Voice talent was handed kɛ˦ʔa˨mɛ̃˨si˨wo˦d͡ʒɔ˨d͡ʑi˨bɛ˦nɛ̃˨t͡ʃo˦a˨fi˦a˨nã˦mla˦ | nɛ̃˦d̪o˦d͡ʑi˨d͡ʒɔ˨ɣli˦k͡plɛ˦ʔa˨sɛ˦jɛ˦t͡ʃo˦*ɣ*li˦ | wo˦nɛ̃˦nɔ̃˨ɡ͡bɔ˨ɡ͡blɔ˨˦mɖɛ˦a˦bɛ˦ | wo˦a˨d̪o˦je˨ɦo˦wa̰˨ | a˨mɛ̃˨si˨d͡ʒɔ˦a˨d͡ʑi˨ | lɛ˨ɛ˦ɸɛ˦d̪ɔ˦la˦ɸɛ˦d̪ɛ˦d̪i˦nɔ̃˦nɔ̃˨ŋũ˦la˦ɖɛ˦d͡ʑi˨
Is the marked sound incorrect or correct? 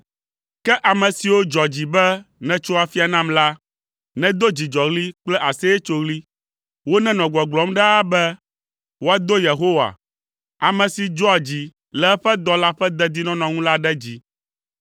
correct